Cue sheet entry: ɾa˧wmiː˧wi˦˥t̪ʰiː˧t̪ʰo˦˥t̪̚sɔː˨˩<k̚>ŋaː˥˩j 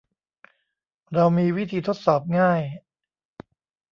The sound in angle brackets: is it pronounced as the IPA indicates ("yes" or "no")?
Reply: no